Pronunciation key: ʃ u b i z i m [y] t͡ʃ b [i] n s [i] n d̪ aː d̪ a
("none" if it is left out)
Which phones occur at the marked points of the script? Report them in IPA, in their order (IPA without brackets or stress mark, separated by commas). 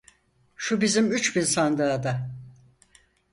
y, i, a